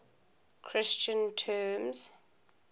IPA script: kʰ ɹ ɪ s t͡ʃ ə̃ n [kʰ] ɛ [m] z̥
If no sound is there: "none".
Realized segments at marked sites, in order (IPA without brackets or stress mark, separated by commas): tʰ, m